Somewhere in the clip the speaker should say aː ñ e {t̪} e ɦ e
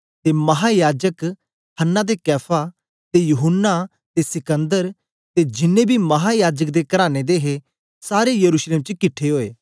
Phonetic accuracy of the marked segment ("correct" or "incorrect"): incorrect